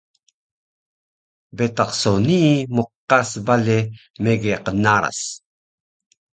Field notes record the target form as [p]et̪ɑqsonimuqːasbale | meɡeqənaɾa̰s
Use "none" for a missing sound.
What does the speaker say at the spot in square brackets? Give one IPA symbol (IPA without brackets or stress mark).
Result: b